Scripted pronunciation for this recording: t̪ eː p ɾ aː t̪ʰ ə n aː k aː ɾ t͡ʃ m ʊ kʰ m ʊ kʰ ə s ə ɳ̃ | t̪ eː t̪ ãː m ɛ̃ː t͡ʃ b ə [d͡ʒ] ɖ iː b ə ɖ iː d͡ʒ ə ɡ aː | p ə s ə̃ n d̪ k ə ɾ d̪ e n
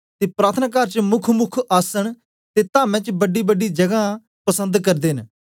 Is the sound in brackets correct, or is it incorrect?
incorrect